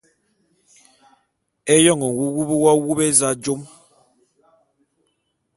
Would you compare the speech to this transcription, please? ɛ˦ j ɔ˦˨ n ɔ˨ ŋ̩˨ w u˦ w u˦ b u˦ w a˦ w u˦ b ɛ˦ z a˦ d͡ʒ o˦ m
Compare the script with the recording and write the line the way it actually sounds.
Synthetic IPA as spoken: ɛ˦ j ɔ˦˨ ŋ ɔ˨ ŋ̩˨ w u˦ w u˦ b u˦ w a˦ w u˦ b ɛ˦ z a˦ d͡ʒ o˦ m